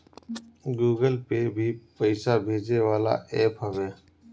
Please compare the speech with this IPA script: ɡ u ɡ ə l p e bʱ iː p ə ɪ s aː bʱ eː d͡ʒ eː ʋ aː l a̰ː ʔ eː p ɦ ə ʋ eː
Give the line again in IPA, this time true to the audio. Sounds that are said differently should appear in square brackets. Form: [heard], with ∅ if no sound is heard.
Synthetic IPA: ɡ [uː] ɡ ə l p e bʱ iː p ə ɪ s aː bʱ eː d͡ʒ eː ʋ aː l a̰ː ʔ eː p ɦ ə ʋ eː